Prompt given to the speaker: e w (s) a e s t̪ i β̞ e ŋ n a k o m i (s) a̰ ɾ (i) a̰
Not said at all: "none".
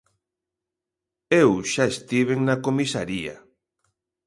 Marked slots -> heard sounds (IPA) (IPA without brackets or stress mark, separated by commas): ʃ, s, i